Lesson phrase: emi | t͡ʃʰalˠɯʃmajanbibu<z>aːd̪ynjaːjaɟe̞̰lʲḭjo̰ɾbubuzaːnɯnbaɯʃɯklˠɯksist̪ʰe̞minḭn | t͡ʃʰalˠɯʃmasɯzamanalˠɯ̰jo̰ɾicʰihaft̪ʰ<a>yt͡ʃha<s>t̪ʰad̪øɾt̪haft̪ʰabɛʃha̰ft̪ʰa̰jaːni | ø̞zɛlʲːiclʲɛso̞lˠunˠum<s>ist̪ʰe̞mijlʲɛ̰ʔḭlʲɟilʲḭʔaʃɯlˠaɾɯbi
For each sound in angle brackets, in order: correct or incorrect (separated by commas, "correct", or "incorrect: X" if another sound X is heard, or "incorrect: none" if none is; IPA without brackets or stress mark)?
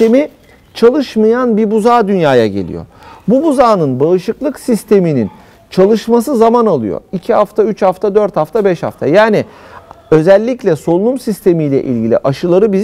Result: correct, correct, incorrect: f, correct